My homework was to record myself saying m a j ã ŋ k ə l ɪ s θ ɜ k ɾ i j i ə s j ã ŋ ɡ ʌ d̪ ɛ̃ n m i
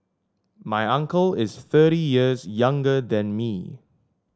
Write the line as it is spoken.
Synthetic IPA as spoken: m a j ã ŋ k ə l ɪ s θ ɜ ɾ i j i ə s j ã ŋ ɡ ə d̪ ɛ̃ n m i